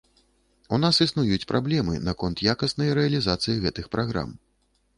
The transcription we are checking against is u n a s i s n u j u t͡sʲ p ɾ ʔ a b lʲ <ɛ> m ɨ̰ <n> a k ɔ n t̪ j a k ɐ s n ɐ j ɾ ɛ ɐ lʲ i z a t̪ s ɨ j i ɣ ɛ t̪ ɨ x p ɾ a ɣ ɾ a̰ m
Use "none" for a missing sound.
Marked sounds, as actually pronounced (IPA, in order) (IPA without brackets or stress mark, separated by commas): ɛ, n